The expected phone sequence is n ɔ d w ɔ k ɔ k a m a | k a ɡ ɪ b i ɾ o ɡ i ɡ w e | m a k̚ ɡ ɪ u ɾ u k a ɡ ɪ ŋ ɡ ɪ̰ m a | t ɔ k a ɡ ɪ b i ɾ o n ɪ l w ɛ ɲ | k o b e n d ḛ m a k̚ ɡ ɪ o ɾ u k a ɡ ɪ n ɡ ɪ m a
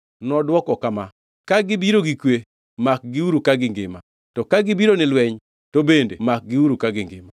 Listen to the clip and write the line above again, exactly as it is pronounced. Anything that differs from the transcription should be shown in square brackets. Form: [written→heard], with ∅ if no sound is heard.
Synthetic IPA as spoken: n ɔ d w ɔ k ɔ k a m a | k a ɡ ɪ b i ɾ o ɡ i [ɡ→k] w e | m a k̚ ɡ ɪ u ɾ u k a ɡ ɪ ŋ ɡ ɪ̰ m a | t ɔ k a ɡ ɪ b i ɾ o n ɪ l w ɛ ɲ | [k→t] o b e n d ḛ m a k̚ ɡ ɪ [o→u] ɾ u k a ɡ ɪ [n→ŋ] ɡ ɪ m a